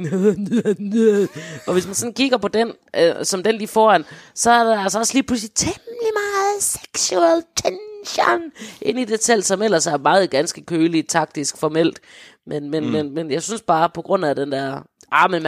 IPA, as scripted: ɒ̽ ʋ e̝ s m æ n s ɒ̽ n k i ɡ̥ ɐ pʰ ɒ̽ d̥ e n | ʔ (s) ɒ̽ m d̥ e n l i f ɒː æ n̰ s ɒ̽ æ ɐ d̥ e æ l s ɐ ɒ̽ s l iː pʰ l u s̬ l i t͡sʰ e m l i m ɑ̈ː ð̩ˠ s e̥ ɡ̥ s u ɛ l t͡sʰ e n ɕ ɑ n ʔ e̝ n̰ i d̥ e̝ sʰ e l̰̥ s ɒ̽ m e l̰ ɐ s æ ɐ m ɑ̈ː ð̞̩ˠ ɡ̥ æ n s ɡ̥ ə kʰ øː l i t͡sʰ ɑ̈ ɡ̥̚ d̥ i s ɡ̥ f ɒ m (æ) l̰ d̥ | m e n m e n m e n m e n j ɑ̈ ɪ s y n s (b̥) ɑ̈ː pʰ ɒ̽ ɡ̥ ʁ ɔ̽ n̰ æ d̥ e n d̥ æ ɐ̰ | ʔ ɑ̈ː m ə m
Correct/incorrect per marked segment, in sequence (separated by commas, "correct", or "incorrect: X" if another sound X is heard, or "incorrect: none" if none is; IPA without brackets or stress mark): correct, incorrect: e, correct